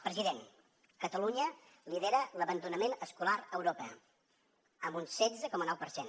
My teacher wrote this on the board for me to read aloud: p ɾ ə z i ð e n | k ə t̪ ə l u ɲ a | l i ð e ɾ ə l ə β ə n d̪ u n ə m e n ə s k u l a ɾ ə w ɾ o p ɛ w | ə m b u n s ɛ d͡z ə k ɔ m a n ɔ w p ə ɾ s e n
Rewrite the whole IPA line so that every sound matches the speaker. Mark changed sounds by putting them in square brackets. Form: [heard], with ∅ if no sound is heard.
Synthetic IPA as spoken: p ɾ ə z i ð e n | k ə t̪ ə l u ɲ [ə] | l i ð e ɾ ə l ə β ə n d̪ u n ə m e n ə s k u l a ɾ ə w ɾ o p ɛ [∅] | ə m b u n s ɛ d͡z ə k ɔ m [ə] n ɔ w p ə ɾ s e n